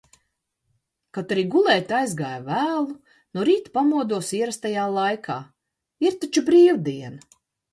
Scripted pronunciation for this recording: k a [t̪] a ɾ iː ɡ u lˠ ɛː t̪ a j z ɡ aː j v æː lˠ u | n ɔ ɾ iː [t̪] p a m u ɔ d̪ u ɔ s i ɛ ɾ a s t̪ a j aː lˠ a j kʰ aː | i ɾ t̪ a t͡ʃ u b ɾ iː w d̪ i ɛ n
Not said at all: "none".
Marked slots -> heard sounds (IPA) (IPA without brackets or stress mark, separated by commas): t̪, t̪